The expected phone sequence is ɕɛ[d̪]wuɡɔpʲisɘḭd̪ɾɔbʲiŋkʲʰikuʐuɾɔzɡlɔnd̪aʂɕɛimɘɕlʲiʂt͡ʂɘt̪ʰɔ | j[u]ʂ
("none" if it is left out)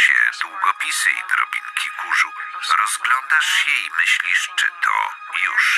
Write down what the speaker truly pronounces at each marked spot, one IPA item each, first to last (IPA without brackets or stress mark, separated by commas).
d̪, u